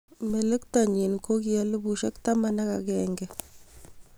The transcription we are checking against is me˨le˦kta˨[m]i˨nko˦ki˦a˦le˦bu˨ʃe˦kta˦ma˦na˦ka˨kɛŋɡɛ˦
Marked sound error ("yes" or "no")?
yes